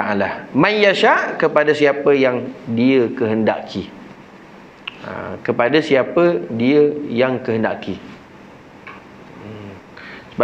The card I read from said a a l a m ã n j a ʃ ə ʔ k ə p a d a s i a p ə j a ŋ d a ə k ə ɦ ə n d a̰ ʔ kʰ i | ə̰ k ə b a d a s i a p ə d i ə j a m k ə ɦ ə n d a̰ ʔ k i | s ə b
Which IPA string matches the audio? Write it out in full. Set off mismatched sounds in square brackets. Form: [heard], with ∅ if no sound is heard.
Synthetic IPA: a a l a m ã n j a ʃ [a] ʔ k ə p a d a s i a p ə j a ŋ d [i] ə k ə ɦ ə n d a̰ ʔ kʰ i | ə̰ k ə [p] a d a s i a p ə d i ə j a [ŋ] k ə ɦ ə n d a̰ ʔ k i | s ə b